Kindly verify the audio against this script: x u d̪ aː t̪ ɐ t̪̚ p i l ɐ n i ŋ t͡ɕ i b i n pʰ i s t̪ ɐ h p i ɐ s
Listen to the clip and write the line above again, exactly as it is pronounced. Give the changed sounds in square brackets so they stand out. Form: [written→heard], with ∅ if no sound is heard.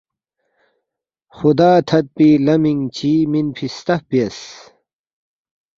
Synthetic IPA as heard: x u d̪ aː [t̪→t̪ʰ] ɐ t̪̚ p i l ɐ [n→m] i ŋ t͡ɕ i [b→m] i n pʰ i s t̪ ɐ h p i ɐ s